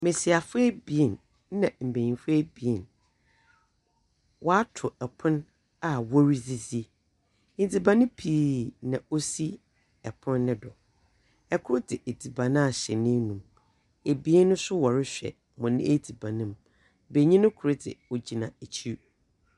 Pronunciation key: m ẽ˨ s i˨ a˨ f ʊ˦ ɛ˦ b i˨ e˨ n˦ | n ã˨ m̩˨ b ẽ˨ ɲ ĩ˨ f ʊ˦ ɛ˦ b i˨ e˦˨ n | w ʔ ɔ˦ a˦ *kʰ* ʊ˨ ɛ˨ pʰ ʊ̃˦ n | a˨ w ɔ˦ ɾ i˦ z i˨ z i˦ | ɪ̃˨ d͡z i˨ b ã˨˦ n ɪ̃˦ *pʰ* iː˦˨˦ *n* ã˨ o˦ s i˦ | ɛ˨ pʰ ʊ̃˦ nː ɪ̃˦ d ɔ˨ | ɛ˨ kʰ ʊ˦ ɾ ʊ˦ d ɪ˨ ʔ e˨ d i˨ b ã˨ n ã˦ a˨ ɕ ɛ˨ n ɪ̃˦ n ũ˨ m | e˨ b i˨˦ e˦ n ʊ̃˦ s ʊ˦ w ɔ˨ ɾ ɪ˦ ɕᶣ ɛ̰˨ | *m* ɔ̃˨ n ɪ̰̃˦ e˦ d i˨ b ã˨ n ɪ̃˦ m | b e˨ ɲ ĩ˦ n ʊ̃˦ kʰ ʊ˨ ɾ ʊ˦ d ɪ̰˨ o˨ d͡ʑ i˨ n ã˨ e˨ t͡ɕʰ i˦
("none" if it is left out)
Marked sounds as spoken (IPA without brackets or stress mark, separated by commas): tʰ, pʰ, n, m